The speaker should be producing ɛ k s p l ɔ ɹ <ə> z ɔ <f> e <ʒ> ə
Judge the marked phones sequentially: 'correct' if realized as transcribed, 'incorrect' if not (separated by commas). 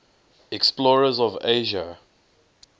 correct, incorrect, correct